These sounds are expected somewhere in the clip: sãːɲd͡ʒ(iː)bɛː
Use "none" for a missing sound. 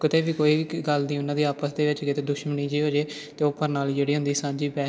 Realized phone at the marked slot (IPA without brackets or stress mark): iː